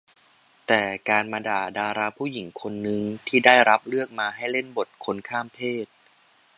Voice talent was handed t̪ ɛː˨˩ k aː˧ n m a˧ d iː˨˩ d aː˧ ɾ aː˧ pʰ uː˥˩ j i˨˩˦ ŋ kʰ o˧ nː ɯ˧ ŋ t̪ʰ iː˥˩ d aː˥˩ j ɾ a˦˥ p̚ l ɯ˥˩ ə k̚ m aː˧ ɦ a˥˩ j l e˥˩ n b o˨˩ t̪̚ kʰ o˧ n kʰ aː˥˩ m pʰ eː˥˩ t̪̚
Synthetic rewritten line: t̪ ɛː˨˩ k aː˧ n m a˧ d aː˨˩ d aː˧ ɾ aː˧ pʰ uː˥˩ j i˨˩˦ ŋ kʰ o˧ nː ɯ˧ ŋ t̪ʰ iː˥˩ d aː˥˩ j ɾ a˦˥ p̚ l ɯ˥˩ ə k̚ m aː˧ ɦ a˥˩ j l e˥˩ n b o˨˩ t̪̚ kʰ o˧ n kʰ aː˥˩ m pʰ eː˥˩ t̪̚

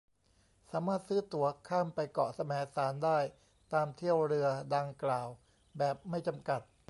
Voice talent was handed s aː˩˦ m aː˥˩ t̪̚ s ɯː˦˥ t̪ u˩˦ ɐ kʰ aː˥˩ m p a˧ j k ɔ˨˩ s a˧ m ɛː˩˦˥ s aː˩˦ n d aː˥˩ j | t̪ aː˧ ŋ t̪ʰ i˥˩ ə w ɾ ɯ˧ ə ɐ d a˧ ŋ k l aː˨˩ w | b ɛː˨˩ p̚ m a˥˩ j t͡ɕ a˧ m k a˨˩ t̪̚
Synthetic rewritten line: s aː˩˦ m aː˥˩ t̪̚ s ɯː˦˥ t̪ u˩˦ ɐ kʰ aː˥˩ m p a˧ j k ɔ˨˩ s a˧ m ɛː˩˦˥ s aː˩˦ n d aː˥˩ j | t̪ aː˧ m t̪ʰ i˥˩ ə w ɾ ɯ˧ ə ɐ d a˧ ŋ k l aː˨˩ w | b ɛː˨˩ p̚ m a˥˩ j t͡ɕ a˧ m k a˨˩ t̪̚

